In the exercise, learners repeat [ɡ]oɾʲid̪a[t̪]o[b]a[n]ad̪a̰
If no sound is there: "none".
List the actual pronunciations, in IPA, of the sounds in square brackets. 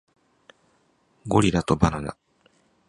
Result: ɡ, t̪, b, n

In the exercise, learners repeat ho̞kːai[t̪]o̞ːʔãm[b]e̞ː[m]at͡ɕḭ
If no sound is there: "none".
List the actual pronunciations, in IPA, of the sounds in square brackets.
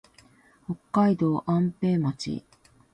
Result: d̪, p, m

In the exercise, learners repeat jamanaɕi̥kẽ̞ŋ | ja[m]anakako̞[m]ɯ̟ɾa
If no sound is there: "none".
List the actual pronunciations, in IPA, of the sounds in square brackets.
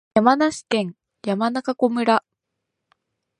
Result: m, m

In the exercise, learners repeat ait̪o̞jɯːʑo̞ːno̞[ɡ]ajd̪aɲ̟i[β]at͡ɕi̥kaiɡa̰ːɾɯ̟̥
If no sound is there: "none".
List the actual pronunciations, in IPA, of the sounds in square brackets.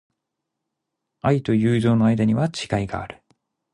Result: none, β

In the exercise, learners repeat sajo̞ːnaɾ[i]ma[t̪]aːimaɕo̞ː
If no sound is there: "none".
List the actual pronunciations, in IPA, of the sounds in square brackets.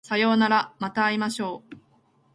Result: a, t̪

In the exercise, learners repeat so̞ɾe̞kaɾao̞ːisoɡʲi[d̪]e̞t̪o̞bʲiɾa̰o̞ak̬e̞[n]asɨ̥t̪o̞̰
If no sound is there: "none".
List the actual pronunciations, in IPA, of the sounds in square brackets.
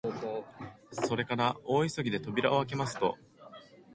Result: d̪, m

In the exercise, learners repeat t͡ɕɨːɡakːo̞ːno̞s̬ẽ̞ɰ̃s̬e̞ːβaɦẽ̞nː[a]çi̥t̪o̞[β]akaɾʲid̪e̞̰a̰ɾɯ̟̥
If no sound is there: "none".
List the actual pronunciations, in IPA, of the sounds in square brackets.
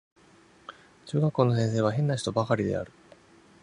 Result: a, b

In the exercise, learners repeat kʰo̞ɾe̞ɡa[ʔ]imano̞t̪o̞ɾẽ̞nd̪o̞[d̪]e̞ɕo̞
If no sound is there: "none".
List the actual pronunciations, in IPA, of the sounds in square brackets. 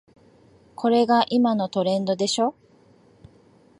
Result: ʔ, d̪

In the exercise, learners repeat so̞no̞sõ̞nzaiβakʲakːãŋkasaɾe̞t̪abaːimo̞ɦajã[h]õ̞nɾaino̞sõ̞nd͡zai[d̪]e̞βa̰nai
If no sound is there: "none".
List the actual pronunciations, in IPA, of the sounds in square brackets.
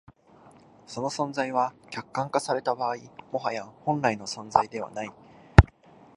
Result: h, d̪

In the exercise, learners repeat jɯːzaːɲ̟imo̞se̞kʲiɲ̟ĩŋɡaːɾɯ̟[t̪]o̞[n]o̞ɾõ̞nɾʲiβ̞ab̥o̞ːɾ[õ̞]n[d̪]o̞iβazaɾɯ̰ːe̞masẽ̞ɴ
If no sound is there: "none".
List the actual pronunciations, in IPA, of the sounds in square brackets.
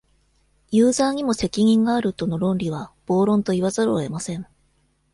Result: t̪, n, õ̞, t̪

